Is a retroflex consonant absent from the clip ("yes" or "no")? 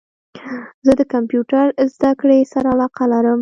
no